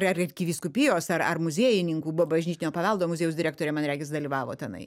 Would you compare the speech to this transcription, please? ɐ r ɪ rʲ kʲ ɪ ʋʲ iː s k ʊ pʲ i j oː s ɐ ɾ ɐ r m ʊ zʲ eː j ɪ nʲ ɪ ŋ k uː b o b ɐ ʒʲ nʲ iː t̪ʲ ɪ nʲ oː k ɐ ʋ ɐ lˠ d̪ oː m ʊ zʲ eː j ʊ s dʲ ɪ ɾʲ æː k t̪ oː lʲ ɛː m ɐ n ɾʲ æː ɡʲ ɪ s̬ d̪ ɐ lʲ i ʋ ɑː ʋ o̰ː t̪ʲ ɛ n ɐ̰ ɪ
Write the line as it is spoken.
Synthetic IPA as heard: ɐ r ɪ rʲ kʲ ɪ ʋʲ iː s k ʊ pʲ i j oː s ɐ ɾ ɐ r m ʊ zʲ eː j ɪ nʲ ɪ ŋ k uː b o b ɐ ʒʲ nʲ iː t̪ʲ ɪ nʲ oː p ɐ ʋ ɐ lˠ d̪ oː m ʊ zʲ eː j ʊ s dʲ ɪ ɾʲ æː k t̪ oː ɾʲ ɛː m ɐ n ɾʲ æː ɡʲ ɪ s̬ d̪ ɐ lʲ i ʋ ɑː ʋ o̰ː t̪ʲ ɛ n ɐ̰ ɪ